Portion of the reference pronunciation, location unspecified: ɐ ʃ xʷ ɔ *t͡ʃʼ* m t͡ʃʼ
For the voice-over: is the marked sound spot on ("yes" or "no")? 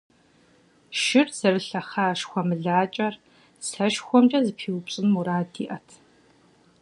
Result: no